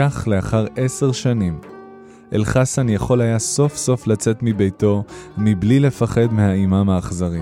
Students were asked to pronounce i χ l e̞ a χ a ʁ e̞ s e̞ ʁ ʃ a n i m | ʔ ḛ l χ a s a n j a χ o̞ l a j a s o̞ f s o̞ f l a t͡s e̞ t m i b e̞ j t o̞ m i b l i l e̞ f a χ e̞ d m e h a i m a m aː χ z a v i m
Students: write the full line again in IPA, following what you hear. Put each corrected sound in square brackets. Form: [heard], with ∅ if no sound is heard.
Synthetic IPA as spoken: [a] χ l e̞ a χ a ʁ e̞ s e̞ ʁ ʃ a n i m | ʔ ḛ l χ a s a n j a χ o̞ l a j a s o̞ f s o̞ f l a t͡s e̞ t m i b e̞ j t o̞ m i b l i l e̞ f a χ e̞ d m e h a i m a m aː χ z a [ʁ] i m